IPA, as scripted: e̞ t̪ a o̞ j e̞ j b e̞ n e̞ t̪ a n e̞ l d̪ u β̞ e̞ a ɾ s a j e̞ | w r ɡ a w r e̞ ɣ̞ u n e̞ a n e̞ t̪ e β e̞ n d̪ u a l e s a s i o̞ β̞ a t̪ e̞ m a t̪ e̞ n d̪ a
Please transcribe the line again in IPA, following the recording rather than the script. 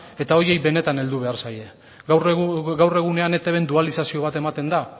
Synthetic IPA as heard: e̞ t̪ a o̞ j e̞ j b e̞ n e̞ t̪ a n e̞ l d̪ u β̞ e̞ a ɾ s a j e̞ | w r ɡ a w r e̞ ɣ̞ u n e̞ a n e̞ t̪ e β e̞ n d̪ u a l i s a s i o̞ β̞ a t̪ e̞ m a t̪ e̞ n d̪ a